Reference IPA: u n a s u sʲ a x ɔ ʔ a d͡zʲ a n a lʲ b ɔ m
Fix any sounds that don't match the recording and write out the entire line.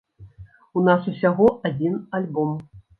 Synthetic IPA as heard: u n a s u sʲ a ɣ ɔ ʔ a d͡zʲ i n a lʲ b ɔ m